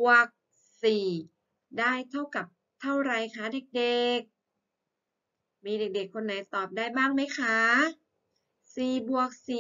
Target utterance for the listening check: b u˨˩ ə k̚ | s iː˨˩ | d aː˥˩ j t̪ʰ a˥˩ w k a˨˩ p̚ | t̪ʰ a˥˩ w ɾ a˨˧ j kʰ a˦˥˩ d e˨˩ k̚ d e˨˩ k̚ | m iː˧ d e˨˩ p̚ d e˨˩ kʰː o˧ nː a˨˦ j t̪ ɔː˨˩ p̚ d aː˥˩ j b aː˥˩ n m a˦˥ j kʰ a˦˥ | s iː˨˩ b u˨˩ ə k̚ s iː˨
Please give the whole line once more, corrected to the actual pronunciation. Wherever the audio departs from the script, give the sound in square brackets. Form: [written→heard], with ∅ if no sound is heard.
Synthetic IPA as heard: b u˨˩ ə k̚ | s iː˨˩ | d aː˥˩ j t̪ʰ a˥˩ w k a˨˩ p̚ | t̪ʰ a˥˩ w ɾ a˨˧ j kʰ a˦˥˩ d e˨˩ k̚ d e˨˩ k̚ | m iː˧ d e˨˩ [p̚→k̚] d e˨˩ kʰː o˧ nː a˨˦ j t̪ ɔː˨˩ p̚ d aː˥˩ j b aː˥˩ [n→ŋ] m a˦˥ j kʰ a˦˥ | s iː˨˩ b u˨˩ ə k̚ s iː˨